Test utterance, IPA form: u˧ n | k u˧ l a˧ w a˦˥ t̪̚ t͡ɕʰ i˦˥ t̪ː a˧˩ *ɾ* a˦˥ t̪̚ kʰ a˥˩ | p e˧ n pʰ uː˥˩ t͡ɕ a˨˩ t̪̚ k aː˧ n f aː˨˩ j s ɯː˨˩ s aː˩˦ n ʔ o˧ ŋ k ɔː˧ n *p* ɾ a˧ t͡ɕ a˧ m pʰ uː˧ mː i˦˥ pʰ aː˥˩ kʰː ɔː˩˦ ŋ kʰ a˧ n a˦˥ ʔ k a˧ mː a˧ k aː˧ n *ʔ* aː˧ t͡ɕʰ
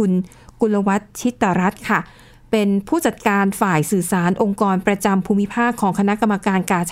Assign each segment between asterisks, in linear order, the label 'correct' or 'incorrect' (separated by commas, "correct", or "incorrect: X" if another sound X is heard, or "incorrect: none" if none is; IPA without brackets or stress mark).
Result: correct, correct, incorrect: k